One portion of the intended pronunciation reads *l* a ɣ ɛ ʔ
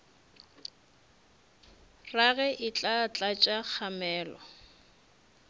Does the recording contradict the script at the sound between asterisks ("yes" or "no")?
yes